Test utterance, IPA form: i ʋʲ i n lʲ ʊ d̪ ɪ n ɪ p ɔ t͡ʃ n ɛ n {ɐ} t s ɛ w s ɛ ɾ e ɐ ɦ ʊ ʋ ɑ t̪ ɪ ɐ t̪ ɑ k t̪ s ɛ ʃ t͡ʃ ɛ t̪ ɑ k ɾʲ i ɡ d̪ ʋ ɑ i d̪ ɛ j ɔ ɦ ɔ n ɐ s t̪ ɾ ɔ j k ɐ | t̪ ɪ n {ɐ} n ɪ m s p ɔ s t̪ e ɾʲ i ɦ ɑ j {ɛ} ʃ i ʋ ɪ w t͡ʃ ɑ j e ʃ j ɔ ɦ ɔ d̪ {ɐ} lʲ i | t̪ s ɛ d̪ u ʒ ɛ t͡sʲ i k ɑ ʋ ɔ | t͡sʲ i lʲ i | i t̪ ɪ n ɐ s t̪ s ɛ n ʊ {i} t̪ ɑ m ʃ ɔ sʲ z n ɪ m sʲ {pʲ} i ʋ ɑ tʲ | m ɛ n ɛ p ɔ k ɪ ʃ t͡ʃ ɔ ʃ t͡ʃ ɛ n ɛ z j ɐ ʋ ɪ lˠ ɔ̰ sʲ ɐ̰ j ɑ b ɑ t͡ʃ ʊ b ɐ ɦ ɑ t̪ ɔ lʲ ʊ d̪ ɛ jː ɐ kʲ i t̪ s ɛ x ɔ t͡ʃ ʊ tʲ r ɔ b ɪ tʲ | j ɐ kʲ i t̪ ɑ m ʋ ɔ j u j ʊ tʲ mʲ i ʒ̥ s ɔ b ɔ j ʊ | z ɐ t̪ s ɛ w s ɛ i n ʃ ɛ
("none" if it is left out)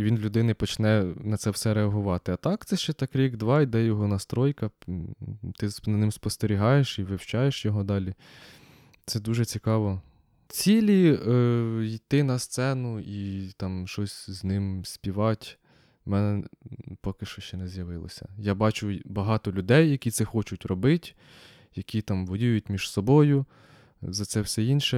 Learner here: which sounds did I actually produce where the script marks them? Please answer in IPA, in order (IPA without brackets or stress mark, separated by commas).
ɐ, ɐ, e, ɑ, i, pʲ